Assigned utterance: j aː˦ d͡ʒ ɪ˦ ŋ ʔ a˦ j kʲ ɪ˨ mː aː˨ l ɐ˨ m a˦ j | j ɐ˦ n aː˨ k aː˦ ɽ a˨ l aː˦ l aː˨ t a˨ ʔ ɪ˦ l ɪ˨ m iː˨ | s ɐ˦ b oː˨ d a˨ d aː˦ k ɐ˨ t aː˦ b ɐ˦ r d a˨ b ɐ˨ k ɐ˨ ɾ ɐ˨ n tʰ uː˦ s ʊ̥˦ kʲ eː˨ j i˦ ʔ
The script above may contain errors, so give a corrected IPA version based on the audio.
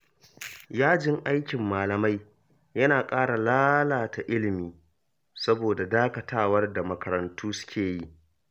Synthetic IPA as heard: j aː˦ d͡ʒ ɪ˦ ŋ ʔ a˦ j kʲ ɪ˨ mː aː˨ l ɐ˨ m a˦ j | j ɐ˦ n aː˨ kʼ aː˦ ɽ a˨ l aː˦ l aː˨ t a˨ ʔ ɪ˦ l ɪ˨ m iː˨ | s ɐ˦ b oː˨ d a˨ d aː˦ k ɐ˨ t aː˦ w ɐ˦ r d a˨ m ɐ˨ k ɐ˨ ɾ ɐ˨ n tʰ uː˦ s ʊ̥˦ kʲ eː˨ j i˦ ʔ